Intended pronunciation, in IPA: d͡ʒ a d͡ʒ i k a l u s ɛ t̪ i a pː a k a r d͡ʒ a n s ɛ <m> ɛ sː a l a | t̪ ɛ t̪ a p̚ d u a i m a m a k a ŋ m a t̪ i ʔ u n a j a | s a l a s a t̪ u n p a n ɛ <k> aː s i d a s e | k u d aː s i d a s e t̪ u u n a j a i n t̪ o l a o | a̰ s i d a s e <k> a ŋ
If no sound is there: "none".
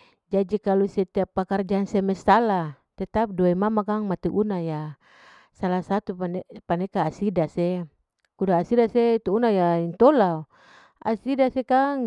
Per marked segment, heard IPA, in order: m, k, k

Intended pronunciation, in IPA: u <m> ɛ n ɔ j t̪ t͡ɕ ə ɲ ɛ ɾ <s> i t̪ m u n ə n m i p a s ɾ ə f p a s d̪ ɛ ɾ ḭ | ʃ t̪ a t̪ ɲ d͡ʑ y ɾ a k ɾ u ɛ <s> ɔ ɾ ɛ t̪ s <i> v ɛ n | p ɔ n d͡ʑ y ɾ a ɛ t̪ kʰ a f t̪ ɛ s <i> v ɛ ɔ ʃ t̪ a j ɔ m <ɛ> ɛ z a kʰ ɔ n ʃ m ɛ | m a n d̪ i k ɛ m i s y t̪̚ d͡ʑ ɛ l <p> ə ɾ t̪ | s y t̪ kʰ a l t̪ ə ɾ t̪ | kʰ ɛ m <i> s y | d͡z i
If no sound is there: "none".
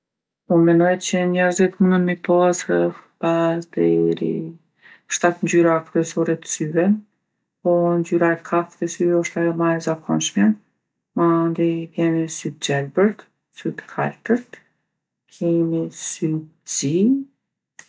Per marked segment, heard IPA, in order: m, z, s, y, y, a, b, i

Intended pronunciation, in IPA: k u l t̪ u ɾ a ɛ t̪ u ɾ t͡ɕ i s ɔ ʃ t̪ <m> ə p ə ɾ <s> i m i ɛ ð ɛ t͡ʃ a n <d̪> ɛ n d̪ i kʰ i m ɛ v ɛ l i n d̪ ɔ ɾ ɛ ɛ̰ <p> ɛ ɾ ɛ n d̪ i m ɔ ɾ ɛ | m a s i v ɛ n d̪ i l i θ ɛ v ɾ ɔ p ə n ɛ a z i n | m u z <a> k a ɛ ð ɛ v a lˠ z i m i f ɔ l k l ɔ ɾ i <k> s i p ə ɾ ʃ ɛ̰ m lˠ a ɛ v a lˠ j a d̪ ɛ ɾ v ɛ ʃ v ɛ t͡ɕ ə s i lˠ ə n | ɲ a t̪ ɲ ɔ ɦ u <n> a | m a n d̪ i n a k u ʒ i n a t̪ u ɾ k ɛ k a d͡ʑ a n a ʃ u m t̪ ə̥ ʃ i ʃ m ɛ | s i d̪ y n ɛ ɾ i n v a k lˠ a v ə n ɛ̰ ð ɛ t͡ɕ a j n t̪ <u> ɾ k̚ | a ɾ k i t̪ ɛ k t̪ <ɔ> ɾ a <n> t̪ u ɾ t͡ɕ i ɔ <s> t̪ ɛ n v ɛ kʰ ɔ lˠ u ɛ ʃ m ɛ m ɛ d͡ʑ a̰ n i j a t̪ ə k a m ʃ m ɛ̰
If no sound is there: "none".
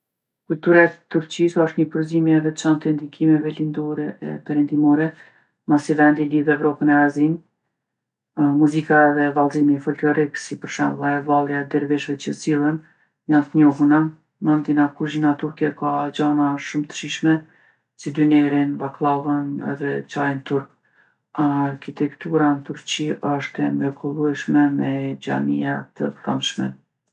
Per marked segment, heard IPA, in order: ɲ, z, t̪, p, i, k, n, u, u, n, ʃ

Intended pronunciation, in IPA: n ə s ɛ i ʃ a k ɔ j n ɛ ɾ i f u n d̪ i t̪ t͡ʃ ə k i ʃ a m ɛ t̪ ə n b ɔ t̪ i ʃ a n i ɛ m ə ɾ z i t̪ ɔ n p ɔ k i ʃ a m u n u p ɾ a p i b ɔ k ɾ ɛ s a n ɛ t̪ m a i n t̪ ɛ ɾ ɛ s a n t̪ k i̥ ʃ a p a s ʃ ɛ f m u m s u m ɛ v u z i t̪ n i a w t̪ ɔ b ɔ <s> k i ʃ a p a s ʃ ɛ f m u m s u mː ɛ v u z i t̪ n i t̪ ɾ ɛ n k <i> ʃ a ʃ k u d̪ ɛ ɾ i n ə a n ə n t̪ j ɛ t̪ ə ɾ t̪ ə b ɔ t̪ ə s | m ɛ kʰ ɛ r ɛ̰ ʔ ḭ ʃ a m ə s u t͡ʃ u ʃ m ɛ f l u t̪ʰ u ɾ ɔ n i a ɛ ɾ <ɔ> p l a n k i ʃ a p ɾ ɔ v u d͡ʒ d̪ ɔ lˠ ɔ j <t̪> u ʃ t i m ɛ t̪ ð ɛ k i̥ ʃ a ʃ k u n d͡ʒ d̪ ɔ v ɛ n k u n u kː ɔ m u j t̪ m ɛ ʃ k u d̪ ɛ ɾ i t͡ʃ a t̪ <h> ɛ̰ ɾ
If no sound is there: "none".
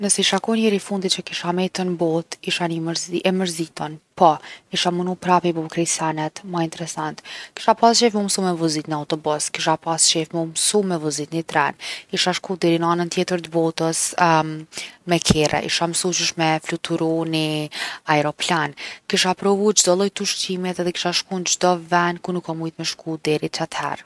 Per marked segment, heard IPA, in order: s, i, ɔ, t̪, h

